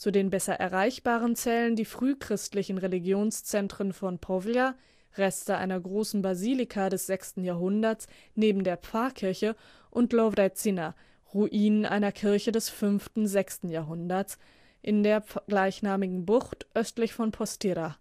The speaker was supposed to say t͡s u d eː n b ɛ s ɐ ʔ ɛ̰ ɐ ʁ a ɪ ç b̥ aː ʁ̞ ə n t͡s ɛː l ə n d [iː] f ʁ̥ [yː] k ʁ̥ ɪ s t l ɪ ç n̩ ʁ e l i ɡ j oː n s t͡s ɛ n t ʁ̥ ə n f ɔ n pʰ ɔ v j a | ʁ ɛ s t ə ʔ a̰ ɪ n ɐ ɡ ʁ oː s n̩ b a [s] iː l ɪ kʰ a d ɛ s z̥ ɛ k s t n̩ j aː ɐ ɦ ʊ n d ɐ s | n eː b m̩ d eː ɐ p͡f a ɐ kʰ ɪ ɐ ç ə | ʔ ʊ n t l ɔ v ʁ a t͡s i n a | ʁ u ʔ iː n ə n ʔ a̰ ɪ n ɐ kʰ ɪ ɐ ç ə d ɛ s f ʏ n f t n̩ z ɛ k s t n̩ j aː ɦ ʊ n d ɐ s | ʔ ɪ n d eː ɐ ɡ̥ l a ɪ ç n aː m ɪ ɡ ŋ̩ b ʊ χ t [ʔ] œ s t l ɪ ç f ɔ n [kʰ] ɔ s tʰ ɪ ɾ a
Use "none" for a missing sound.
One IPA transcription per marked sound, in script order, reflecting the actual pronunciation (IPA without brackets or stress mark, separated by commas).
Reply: iː, yː, z, ʔ, pʰ